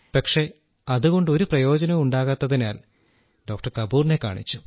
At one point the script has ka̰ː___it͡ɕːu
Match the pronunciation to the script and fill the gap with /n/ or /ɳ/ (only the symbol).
ɳ